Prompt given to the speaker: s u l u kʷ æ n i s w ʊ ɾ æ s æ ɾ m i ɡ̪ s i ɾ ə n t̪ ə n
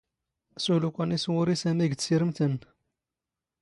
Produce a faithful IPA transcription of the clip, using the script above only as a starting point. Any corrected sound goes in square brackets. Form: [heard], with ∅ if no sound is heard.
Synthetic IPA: s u l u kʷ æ n i s w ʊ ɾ [i] s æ [∅] m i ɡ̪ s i ɾ ə [m] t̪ ə n